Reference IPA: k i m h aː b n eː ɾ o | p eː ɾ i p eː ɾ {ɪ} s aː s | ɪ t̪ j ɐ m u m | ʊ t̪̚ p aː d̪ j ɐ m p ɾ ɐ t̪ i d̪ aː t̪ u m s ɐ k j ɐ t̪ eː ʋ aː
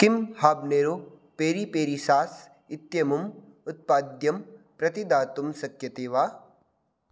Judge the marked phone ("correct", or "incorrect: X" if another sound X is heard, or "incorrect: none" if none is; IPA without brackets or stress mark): incorrect: i